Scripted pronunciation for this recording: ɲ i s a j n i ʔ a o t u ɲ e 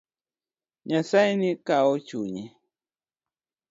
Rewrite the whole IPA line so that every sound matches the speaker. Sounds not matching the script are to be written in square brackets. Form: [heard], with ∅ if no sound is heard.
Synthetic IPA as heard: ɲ [a] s a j n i [k] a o [t͡ʃ] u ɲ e